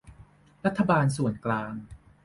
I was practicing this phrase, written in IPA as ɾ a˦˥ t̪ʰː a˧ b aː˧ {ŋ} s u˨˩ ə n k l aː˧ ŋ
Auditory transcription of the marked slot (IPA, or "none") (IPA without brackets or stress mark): n